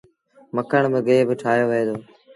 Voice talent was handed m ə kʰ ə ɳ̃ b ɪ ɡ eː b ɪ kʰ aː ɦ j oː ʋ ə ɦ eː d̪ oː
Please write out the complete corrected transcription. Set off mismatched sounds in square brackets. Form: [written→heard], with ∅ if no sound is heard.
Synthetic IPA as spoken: m ə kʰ ə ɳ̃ b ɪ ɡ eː b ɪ [kʰ→ʈʰ] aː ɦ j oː ʋ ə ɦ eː d̪ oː